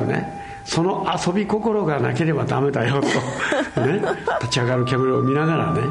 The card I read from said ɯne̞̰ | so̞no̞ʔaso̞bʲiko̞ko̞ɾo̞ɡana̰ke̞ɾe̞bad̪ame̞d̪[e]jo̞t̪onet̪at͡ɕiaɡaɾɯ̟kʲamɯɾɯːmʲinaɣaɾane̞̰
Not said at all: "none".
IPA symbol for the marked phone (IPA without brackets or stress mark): a